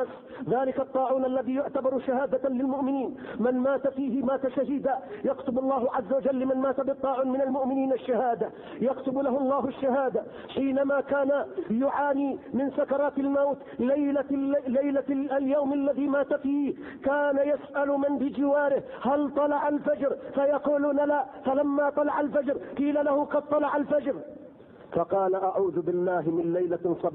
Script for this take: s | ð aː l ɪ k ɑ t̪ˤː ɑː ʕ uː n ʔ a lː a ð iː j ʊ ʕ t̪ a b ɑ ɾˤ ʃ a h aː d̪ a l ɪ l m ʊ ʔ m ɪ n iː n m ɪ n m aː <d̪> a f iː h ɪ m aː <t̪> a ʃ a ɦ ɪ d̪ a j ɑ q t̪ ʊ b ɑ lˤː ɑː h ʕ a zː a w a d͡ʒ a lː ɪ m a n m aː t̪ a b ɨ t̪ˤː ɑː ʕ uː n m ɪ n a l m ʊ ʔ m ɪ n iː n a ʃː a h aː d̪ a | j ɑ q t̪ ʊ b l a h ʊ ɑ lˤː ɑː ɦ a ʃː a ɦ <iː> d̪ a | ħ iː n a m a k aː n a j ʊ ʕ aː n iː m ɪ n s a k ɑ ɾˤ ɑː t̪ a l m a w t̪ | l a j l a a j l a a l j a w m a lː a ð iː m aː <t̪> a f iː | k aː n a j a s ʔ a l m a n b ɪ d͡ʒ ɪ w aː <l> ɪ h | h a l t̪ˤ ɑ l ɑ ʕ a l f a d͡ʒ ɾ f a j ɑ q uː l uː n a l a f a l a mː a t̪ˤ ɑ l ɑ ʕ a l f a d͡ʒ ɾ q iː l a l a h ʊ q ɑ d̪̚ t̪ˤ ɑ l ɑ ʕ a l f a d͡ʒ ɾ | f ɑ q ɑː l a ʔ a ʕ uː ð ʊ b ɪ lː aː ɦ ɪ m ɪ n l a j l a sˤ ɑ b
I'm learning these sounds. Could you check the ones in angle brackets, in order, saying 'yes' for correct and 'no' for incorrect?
no, yes, no, yes, no

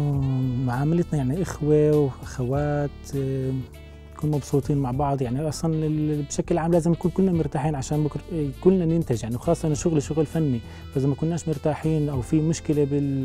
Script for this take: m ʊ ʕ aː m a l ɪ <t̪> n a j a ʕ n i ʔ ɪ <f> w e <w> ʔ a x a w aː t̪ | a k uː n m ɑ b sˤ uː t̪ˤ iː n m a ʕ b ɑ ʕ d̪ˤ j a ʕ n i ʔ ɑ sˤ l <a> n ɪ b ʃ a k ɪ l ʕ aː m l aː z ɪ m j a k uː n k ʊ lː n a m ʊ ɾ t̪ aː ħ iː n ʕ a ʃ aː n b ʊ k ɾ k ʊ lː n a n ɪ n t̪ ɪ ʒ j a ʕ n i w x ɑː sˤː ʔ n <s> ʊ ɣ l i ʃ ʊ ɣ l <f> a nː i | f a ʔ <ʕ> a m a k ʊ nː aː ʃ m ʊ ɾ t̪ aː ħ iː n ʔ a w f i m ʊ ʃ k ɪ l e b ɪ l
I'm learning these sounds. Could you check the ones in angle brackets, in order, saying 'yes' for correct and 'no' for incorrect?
yes, no, yes, no, no, yes, no

